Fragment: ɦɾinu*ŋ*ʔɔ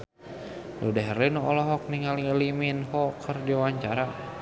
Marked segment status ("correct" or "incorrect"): incorrect